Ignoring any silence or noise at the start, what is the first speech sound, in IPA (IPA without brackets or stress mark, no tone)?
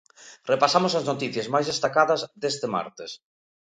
r